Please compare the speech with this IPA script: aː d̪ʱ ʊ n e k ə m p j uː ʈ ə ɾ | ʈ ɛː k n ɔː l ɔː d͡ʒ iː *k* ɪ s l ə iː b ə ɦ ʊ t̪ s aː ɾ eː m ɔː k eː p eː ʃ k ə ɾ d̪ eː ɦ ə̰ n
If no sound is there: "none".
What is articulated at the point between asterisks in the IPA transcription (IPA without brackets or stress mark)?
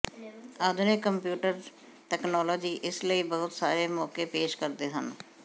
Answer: ʔ